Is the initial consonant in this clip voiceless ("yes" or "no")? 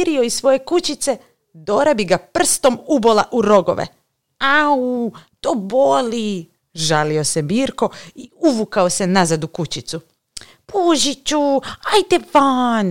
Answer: no